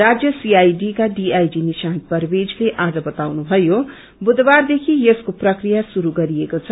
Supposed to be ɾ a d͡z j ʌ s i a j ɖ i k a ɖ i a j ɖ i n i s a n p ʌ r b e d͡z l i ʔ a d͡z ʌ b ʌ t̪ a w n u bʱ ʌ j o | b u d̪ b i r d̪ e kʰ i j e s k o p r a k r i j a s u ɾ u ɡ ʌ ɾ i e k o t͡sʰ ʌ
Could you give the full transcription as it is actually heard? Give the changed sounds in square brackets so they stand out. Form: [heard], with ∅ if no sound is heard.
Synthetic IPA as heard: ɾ a d͡z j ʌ s i a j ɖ i k a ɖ i a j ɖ i n i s a n p ʌ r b e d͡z l [e] ʔ a d͡z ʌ b ʌ t̪ a w n u bʱ ʌ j o | b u d̪ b [a] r d̪ e kʰ i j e s k o p r [ʌ] k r i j a s u ɾ u ɡ ʌ ɾ i e k o t͡sʰ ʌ